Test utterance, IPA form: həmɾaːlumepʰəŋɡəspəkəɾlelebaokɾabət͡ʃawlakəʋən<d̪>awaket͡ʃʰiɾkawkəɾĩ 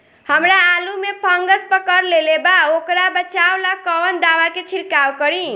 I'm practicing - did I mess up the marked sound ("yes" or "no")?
no